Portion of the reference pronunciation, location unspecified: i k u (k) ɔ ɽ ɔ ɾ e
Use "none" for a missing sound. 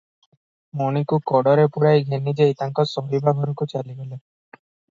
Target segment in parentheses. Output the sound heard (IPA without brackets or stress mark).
k